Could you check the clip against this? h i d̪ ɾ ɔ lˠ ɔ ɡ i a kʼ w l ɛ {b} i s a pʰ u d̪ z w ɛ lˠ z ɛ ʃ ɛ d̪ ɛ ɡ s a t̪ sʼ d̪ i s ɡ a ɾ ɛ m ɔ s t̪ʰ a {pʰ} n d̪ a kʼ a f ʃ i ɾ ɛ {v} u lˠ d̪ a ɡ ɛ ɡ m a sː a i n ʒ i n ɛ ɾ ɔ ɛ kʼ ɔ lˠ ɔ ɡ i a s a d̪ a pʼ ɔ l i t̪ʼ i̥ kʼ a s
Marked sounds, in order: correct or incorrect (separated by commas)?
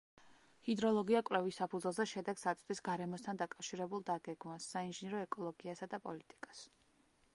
incorrect, incorrect, incorrect